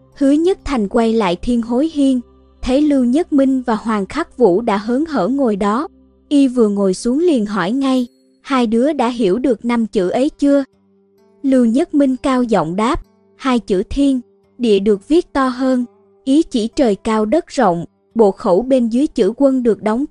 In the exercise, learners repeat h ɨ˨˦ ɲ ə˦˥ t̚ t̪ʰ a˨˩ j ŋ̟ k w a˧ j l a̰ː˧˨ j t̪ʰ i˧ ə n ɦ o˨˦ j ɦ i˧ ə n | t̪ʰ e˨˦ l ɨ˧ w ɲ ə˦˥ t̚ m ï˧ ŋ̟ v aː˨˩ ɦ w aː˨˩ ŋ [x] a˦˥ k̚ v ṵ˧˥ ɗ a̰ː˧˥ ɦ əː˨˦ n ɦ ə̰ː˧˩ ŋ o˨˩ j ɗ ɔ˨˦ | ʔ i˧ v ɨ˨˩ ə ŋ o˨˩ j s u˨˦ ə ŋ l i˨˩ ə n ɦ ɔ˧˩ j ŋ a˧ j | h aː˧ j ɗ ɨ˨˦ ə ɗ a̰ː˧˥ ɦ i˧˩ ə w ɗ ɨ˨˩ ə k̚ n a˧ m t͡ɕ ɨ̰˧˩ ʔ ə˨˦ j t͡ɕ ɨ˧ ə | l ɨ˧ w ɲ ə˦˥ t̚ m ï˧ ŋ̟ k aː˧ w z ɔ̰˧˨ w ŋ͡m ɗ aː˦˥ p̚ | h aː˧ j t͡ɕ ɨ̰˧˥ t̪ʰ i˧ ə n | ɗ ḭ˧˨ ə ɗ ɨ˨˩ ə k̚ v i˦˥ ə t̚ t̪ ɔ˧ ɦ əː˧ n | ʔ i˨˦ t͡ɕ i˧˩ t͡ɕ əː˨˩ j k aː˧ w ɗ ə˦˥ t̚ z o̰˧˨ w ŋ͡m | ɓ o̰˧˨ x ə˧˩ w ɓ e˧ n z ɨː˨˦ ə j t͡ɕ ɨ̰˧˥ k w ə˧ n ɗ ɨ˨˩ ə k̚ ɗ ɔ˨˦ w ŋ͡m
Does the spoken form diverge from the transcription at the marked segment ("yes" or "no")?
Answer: no